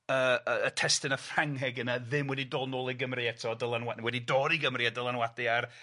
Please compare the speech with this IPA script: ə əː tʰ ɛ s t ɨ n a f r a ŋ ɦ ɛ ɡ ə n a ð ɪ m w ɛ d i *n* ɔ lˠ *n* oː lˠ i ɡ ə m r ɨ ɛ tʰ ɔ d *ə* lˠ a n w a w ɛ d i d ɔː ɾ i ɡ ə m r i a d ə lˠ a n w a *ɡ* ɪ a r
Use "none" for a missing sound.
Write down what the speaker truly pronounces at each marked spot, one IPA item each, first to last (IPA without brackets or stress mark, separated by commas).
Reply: d, n, ə, d